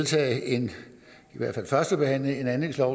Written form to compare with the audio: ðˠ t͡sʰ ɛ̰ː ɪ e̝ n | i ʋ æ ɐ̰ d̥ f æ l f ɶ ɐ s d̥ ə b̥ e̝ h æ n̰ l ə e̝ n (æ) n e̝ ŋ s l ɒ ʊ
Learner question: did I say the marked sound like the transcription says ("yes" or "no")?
yes